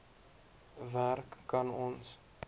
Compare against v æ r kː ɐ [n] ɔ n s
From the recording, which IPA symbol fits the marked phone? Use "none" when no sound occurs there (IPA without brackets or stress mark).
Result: n